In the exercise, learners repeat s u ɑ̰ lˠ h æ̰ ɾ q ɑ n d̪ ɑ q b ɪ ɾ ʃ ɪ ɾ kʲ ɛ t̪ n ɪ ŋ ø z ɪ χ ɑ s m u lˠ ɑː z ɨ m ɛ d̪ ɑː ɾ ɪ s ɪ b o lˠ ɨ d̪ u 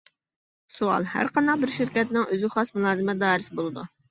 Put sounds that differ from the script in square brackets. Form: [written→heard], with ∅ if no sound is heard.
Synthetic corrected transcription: s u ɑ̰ lˠ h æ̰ ɾ q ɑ n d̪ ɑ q b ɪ ɾ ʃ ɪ ɾ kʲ ɛ t̪ n ɪ ŋ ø z ɪ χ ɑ s m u lˠ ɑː z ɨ m ɛ d̪ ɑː ɾ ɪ s ɪ b o lˠ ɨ d̪ u